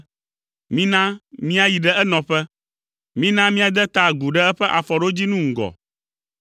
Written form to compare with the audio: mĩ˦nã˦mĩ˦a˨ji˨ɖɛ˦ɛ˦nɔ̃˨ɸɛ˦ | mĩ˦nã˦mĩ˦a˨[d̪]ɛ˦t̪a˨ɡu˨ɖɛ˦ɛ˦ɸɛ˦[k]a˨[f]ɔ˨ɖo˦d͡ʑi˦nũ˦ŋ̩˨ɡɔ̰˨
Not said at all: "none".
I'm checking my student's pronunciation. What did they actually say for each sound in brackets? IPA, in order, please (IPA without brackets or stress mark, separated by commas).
d̪, ʔ, f